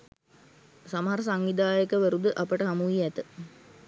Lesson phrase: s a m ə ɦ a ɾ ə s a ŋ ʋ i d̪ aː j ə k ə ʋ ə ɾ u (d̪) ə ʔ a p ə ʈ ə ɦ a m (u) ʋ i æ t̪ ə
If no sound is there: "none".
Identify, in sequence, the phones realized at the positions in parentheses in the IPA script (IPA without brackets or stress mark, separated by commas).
d̪, u